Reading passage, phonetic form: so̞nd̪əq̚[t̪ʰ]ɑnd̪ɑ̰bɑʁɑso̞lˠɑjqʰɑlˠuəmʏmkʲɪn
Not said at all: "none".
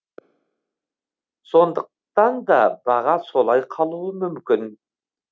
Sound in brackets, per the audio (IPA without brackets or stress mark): t̪